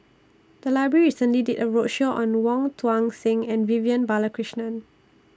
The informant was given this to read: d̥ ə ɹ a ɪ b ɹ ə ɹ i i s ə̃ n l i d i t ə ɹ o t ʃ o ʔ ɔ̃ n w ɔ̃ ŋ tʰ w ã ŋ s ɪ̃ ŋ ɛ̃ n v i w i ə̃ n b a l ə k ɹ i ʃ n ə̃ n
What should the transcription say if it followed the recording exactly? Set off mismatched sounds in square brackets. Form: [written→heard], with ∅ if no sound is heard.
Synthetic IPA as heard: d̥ ə [ɹ→l] a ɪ b ɹ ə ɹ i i s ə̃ n l i d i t ə ɹ o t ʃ o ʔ ɔ̃ n w ɔ̃ ŋ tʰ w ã ŋ s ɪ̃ ŋ ɛ̃ n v i [w→v] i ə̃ n b a l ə k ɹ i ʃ n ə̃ n